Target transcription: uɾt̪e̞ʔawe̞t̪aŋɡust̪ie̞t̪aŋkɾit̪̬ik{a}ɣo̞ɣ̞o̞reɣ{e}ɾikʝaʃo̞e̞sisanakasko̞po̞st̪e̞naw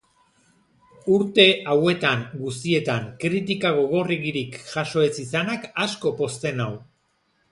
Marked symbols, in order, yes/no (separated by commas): yes, no